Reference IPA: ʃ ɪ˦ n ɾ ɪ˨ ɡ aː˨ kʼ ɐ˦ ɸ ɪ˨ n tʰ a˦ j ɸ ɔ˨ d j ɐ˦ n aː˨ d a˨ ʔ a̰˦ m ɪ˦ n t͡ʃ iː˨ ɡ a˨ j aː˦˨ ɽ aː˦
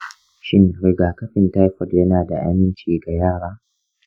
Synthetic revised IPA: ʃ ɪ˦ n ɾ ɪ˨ ɡ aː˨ k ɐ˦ ɸ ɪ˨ n t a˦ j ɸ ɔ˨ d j ɐ˦ n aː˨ d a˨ ʔ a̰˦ m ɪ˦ n t͡ʃ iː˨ ɡ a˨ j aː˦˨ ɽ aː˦